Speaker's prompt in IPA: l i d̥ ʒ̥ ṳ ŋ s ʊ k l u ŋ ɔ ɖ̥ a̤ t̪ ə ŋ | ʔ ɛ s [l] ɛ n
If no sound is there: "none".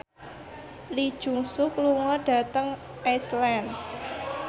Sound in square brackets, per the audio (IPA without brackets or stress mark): l